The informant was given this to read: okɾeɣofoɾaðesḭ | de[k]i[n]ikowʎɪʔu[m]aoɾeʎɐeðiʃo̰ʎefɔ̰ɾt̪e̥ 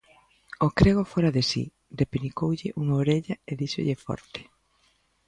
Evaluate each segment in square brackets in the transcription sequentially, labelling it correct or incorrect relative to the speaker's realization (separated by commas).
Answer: incorrect, correct, incorrect